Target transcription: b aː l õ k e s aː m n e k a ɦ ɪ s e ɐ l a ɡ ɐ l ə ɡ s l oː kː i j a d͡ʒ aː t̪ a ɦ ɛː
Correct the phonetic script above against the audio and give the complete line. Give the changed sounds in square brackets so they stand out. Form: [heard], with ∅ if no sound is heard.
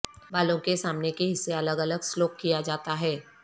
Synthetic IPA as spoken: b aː l õ k e s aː m n e k [e] ɦ ɪ [sː] e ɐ l [ə] ɡ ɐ l ə ɡ s l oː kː i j a d͡ʒ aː t̪ a ɦ ɛː